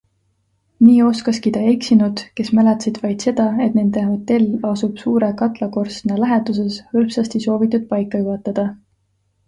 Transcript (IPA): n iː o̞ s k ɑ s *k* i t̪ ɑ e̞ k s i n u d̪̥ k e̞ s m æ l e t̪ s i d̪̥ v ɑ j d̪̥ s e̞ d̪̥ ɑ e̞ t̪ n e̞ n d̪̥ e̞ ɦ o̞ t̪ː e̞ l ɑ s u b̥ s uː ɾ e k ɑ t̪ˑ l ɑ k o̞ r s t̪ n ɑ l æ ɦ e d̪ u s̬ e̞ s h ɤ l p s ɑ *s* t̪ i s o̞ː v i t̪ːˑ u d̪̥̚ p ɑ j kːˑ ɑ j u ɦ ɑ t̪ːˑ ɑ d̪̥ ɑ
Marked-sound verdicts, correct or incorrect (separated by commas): correct, correct